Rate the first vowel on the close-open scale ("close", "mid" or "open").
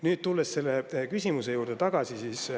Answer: close